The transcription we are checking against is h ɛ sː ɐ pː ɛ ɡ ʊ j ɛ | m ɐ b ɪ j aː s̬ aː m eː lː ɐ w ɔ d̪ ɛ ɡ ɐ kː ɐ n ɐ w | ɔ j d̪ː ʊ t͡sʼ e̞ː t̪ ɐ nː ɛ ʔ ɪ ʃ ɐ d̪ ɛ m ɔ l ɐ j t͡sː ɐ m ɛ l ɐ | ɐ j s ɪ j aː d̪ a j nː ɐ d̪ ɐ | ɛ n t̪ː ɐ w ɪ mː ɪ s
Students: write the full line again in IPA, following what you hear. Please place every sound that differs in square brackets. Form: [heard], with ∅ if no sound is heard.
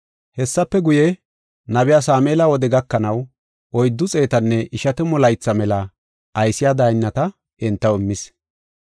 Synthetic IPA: h ɛ sː ɐ pː ɛ ɡ ʊ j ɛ | [n] ɐ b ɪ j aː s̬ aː m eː [l] ɐ w ɔ d̪ ɛ ɡ ɐ kː ɐ n ɐ w | ɔ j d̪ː ʊ t͡sʼ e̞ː t̪ ɐ nː ɛ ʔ ɪ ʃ ɐ [t̪] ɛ m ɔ l ɐ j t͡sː ɐ m ɛ l ɐ | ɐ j s ɪ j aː d̪ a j nː ɐ [t̪] ɐ | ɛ n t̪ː ɐ w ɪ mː ɪ s